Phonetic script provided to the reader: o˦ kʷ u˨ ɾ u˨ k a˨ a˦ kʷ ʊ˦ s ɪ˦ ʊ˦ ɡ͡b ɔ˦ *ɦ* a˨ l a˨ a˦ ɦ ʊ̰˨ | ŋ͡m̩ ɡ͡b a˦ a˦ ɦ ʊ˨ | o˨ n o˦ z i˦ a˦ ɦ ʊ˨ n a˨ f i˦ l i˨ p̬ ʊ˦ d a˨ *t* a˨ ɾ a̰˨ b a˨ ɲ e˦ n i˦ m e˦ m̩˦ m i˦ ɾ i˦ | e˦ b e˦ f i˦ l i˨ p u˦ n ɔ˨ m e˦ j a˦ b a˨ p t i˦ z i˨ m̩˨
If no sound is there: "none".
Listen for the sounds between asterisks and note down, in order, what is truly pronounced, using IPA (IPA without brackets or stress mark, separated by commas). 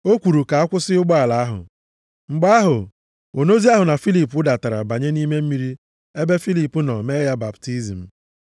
none, t